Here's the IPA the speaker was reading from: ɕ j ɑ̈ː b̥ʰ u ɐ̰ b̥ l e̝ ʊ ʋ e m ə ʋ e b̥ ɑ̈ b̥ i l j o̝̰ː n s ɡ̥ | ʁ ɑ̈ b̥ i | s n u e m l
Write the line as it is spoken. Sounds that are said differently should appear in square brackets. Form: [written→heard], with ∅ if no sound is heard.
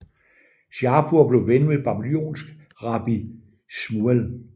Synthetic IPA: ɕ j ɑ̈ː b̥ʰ u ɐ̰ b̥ l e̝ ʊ ʋ e [m→n] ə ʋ e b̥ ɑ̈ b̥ i l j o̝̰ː n s ɡ̥ | ʁ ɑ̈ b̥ i | s [n→m] u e [m→∅] l